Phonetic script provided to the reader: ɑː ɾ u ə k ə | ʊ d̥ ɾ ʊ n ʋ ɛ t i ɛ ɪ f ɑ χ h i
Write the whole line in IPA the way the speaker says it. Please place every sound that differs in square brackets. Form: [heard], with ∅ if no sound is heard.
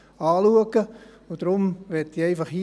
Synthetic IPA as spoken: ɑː [l] u ə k ə | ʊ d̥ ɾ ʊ [m] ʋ ɛ t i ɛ ɪ f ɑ χ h i